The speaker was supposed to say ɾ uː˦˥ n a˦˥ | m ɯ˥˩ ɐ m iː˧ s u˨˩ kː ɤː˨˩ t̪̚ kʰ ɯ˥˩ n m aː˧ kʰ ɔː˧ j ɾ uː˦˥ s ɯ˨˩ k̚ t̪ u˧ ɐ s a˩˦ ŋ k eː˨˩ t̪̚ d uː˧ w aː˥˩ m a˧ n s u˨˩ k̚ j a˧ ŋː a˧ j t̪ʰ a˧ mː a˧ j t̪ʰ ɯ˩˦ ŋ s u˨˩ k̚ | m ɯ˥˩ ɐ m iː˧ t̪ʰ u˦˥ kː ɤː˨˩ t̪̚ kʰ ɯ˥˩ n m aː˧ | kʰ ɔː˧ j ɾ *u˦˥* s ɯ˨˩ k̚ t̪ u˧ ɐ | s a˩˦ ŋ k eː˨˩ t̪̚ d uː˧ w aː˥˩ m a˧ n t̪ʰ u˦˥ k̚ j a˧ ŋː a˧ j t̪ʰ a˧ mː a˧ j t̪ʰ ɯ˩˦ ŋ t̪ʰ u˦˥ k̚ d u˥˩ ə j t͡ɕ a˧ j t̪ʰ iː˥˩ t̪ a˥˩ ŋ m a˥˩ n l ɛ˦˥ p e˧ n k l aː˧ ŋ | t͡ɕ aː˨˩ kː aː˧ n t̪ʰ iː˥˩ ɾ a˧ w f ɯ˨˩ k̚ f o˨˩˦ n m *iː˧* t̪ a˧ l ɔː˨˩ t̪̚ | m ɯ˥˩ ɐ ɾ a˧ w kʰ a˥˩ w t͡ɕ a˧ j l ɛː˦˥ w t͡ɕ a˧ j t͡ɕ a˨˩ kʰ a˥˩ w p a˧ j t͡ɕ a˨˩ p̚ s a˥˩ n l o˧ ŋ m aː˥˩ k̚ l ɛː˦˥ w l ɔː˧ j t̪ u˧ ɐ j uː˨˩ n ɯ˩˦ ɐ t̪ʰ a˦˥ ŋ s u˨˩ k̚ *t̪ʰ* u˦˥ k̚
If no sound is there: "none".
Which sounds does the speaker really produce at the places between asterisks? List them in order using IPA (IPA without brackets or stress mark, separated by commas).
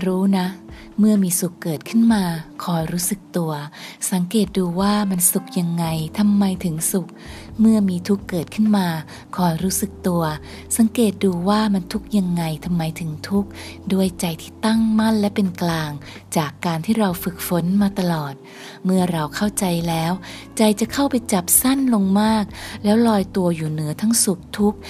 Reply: uː˦˥, aː˧, t̪ʰ